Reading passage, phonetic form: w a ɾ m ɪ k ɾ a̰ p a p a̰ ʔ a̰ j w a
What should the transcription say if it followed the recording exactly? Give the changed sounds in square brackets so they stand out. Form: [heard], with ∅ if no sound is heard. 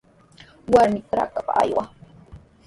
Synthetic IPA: w a ɾ m ɪ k ɾ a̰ [k] a p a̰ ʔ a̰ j w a